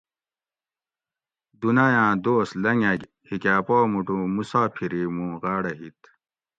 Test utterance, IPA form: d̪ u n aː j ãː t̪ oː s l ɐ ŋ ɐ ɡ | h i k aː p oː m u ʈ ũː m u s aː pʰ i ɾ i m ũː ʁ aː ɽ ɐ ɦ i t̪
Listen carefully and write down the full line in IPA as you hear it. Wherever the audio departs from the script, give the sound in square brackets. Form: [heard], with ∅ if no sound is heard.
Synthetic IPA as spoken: d̪ u n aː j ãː [d̪] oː s l ɐ ŋ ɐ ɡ | h i k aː p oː m u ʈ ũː m u s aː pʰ i ɾ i m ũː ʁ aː ɽ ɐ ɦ i t̪